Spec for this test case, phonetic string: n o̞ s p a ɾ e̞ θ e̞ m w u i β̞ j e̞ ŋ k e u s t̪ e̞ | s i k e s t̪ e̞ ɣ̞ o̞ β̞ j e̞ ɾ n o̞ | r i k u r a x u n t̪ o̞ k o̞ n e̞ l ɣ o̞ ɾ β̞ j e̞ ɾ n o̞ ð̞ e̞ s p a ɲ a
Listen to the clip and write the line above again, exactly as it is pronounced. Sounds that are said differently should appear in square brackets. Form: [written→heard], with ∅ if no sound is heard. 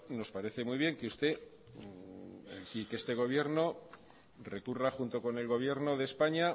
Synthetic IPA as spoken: n o̞ s p a ɾ e̞ θ e̞ m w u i β̞ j e̞ ŋ k e u s t̪ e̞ | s i k e s t̪ e̞ ɣ̞ o̞ β̞ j e̞ ɾ n o̞ | r [i→e] k u r a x u n t̪ o̞ k o̞ n e̞ l ɣ o̞ [ɾ→∅] β̞ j e̞ ɾ n o̞ ð̞ e̞ s p a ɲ a